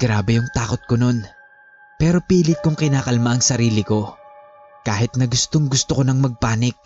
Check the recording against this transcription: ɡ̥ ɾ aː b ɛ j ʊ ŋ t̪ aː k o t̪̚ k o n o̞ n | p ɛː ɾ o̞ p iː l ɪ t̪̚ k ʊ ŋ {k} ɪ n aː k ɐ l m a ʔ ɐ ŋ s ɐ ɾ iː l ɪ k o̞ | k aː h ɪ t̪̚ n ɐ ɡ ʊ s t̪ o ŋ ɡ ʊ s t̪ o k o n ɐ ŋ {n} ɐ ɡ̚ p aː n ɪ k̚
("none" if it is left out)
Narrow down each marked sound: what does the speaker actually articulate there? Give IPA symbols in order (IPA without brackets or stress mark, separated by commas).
k, m